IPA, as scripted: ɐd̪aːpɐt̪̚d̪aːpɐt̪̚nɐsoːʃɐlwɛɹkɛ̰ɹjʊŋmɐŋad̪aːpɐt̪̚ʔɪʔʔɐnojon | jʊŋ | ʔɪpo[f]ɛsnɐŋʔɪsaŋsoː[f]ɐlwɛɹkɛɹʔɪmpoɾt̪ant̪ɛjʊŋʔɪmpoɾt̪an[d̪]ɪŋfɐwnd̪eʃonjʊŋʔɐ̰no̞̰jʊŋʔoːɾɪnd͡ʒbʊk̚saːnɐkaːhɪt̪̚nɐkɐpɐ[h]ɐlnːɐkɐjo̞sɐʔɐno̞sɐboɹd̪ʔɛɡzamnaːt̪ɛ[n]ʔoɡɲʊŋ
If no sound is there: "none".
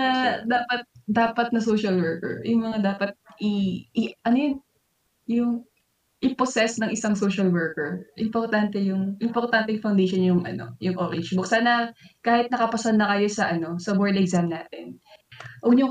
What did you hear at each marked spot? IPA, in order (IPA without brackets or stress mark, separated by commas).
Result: s, ʃ, t̪, s, n